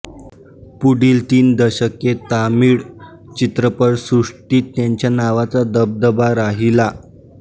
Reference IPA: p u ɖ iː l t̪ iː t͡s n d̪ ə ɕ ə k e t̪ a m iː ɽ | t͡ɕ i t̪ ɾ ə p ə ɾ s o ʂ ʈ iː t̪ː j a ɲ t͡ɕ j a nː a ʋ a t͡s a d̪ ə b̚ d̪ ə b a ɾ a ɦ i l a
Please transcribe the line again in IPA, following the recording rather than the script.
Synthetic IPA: p u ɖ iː l t̪ iː n d̪ ə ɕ ə k e t̪ a m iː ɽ | t͡ɕ i t̪ ɾ ə p ə ɾ s u ʂ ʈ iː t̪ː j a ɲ t͡ɕ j a n a ʋ a t͡s a d̪ ə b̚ d̪ ə b a ɾ a ɦ i l a